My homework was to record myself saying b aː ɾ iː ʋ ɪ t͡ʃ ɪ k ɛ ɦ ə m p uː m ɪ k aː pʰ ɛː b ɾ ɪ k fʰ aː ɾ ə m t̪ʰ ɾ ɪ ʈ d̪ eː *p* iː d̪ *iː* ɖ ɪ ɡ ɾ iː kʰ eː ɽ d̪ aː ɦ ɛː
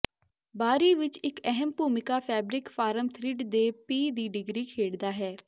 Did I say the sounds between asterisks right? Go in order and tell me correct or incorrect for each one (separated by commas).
correct, correct